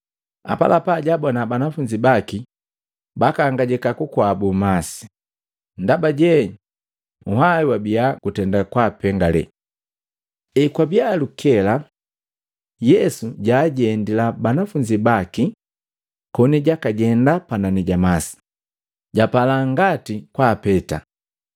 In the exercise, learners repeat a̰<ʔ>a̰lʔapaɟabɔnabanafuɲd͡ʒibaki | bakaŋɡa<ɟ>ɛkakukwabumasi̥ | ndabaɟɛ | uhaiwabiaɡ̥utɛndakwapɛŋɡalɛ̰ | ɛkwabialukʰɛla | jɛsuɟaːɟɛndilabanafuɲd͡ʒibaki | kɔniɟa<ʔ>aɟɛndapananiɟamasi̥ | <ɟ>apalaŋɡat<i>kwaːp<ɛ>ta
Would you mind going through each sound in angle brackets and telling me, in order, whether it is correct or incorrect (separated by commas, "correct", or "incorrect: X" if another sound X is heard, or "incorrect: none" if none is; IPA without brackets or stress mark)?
incorrect: p, correct, incorrect: k, correct, correct, correct